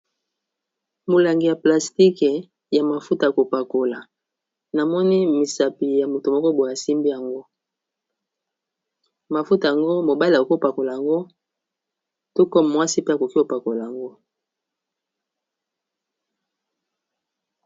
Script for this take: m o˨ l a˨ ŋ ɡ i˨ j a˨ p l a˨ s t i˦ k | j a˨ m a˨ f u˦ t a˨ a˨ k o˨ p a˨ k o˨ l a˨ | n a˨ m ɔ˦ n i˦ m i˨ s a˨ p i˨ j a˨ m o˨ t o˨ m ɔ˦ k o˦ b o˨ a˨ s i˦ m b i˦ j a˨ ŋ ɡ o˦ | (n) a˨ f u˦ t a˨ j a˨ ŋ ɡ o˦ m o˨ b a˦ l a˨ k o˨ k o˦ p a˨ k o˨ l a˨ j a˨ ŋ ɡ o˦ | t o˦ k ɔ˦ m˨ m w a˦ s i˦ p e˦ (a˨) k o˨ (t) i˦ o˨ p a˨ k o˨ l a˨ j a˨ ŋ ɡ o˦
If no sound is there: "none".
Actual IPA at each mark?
m, a˨, k

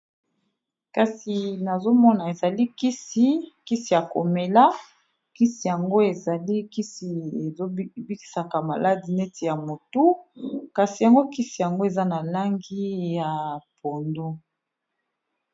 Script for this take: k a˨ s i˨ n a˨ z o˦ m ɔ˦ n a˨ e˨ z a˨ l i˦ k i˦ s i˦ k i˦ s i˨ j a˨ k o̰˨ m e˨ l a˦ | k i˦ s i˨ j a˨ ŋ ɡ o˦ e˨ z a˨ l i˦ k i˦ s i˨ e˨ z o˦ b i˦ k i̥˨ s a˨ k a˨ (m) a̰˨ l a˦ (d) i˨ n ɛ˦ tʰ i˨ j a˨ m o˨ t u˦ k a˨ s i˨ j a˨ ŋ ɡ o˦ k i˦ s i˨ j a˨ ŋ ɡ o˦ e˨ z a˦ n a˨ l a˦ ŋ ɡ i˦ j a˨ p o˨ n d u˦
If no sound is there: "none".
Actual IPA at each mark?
m, d

